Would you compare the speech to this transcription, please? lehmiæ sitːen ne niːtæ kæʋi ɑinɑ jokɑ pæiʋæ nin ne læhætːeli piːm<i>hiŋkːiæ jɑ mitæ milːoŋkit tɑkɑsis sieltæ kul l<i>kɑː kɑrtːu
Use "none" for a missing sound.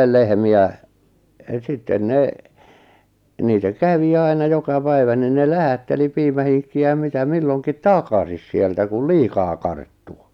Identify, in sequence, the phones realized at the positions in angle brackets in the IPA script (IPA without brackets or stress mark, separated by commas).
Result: æ, iː